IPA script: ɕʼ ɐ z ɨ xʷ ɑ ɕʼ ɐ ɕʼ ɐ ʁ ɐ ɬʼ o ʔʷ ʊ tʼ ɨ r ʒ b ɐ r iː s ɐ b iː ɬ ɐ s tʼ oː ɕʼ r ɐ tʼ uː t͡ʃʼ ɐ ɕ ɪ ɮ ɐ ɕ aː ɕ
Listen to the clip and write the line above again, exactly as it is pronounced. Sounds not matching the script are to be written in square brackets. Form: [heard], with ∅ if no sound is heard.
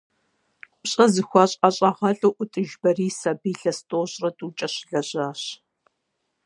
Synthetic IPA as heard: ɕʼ ɐ z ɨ xʷ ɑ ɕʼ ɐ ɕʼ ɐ ʁ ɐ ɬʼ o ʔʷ ʊ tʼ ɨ [∅] ʒ b ɐ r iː s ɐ b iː ɬ ɐ s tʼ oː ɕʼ r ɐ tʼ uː t͡ʃʼ ɐ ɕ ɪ ɮ ɐ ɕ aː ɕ